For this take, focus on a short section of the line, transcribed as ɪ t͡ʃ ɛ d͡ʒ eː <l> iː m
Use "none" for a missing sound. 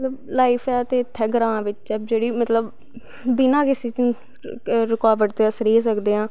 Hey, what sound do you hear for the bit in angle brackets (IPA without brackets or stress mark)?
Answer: ɽ